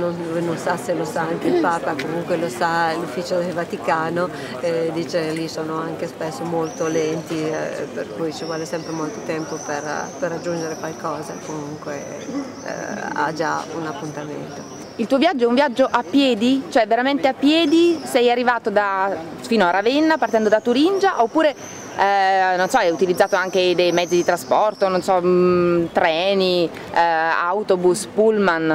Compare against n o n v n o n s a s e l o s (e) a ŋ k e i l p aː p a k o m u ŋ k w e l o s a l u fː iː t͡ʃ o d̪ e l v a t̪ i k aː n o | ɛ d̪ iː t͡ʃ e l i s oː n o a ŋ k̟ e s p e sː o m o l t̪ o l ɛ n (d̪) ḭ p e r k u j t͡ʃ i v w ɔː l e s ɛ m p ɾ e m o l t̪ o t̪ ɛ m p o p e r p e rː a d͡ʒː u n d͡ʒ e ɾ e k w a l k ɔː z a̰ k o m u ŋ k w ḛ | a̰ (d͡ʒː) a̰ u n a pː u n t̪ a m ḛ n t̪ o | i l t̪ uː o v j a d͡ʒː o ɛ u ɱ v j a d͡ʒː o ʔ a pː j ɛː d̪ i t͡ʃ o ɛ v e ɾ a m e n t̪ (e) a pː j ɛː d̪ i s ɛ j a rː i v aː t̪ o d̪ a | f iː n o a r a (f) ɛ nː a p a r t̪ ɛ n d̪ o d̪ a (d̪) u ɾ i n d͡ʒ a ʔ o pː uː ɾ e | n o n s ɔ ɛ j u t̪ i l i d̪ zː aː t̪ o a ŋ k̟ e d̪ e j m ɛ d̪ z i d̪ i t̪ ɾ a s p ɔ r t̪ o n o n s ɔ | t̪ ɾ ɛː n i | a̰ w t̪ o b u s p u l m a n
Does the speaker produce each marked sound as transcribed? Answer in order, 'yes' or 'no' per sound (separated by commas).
no, no, no, yes, no, no